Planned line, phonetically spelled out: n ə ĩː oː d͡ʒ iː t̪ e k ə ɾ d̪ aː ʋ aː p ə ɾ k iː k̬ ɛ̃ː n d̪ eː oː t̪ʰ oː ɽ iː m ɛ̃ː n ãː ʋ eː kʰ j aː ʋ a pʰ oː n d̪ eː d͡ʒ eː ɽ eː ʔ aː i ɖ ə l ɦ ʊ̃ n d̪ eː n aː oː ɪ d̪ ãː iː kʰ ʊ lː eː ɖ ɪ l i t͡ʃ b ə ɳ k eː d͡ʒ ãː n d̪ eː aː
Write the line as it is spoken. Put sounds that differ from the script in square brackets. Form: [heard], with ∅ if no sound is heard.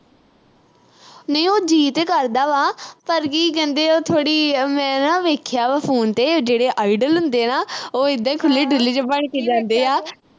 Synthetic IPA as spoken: n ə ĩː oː d͡ʒ iː t̪ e k ə ɾ d̪ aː ʋ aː p ə ɾ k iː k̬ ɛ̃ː n d̪ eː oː t̪ʰ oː ɽ iː m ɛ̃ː n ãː ʋ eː kʰ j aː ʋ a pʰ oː n [t̪] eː d͡ʒ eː ɽ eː ʔ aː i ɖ ə l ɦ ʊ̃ n d̪ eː n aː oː ɪ d̪ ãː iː kʰ ʊ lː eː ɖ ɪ l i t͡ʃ b ə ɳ k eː d͡ʒ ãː n d̪ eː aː